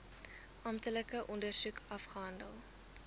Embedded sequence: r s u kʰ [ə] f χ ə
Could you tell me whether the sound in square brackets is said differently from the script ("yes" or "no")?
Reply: yes